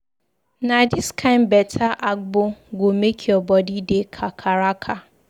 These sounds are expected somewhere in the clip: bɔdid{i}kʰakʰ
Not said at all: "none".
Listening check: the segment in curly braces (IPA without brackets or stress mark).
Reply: e